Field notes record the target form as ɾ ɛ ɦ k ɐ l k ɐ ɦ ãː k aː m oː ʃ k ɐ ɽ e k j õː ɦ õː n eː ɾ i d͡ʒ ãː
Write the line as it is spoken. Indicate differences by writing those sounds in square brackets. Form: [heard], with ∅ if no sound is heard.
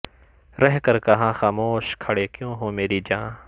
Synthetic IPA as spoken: ɾ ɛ ɦ k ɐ [ɾ] k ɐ ɦ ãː [x] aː m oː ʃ [kʰ] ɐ ɽ e k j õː ɦ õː [m] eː ɾ i d͡ʒ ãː